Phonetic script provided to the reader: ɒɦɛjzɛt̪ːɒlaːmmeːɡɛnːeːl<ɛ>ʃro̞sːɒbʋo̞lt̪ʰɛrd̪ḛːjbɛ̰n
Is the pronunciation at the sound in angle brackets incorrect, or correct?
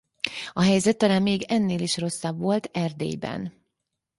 incorrect